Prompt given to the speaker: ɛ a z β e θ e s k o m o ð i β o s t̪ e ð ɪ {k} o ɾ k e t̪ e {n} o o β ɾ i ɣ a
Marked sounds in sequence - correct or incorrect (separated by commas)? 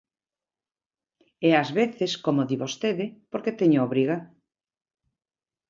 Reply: incorrect, incorrect